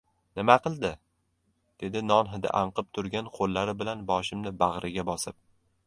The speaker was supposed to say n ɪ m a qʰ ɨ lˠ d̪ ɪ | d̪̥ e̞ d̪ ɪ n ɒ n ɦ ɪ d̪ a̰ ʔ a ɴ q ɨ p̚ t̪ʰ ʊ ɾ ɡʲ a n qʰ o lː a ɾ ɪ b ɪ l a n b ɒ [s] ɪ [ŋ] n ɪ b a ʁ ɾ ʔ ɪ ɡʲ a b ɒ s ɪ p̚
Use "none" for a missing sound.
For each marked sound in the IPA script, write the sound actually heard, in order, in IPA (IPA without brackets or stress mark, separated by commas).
ʃ, m